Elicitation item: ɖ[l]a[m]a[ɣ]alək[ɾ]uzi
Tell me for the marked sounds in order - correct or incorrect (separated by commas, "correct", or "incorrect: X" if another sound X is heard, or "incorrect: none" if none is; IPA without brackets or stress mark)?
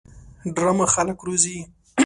incorrect: ɾ, correct, incorrect: x, correct